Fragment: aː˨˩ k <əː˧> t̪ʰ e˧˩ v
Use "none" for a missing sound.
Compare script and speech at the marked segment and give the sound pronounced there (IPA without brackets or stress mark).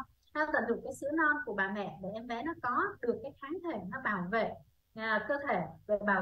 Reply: əː˧